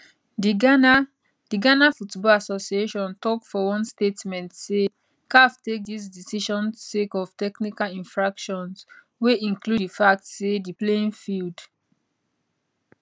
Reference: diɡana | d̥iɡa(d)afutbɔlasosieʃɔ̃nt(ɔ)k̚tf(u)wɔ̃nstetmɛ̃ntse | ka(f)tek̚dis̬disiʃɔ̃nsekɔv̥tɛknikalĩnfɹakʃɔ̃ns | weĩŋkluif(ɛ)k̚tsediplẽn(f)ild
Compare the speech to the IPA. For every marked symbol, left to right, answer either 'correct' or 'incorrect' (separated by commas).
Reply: incorrect, correct, incorrect, correct, incorrect, correct